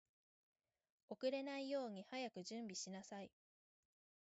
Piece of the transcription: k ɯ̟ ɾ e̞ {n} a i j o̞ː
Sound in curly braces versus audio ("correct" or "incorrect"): correct